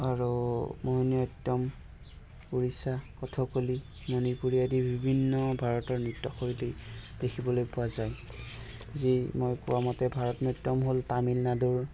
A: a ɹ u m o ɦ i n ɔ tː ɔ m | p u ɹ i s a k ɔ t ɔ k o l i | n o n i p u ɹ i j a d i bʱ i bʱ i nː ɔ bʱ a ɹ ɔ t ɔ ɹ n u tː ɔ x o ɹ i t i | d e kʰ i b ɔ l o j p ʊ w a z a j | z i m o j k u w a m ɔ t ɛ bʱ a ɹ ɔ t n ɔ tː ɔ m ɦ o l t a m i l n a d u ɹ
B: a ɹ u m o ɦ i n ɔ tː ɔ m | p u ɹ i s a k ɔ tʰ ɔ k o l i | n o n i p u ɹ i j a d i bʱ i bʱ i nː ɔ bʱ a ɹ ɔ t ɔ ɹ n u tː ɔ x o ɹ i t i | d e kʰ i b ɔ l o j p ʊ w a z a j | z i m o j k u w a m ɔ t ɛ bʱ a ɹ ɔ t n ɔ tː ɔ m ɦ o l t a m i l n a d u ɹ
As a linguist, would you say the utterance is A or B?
B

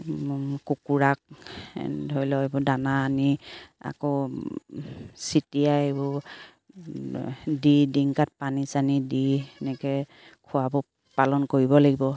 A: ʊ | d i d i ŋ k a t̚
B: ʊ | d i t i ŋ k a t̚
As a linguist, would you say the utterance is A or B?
A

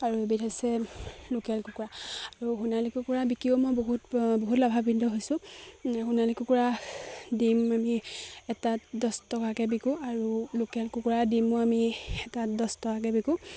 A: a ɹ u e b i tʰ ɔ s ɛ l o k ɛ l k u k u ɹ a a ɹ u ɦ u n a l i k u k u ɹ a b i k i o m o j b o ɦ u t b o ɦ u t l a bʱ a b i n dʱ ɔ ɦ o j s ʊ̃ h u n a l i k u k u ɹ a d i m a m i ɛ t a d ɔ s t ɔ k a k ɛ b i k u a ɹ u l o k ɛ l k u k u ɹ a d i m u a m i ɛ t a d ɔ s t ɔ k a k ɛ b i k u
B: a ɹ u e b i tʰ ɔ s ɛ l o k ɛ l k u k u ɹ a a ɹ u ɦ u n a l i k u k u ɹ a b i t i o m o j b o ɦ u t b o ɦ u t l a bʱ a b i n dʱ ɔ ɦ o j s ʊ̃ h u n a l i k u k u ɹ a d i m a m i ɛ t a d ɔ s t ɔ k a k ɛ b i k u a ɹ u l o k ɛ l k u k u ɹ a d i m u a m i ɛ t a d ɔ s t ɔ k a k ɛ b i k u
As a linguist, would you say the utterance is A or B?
A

